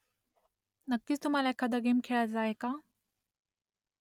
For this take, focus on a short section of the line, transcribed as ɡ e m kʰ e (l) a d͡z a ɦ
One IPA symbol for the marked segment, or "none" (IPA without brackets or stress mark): ɭ